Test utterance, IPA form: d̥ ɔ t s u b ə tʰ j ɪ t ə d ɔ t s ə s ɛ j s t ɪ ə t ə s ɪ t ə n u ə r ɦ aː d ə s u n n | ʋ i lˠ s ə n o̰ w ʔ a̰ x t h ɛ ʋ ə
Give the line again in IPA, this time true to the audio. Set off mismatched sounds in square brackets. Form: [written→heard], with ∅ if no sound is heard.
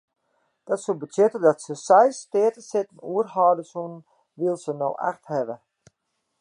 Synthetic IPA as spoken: d̥ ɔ t s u b ə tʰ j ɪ t ə d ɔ t s ə s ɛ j s t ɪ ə t ə s ɪ t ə n u ə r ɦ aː d ə s u n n | ʋ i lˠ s ə n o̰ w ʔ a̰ x t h ɛ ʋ ə